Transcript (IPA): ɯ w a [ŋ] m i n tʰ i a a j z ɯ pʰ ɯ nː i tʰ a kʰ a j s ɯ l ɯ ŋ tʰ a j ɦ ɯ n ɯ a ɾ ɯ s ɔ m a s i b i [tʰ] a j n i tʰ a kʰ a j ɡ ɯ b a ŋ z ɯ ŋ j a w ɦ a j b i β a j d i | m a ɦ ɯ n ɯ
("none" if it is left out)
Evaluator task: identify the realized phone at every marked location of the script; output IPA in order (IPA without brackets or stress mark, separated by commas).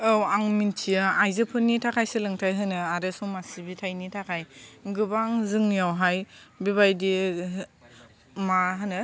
ŋ, tʰ